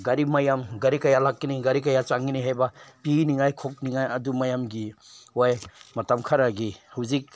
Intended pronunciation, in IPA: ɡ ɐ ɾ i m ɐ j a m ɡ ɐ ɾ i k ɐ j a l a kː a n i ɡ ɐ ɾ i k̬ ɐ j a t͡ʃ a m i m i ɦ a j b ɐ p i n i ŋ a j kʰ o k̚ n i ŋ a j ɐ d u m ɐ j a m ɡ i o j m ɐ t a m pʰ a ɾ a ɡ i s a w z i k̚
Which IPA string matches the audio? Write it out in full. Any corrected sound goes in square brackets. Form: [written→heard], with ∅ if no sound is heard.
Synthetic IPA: ɡ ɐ ɾ i m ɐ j a m ɡ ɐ ɾ i k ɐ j a l a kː [a→i] n i ɡ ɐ ɾ i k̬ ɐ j a t͡ʃ a [m→ŋ] i [m→n] i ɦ a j b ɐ p i n i ŋ a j kʰ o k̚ n i ŋ a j ɐ d u m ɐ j a m ɡ i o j m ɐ t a m [pʰ→kʰ] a ɾ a ɡ i [s→h] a w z i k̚